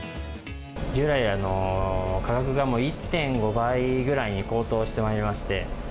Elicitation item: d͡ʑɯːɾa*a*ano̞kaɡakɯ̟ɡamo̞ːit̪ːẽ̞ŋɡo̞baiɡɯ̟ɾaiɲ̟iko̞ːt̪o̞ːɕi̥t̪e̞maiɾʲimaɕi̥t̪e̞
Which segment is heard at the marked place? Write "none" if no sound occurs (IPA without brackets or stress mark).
i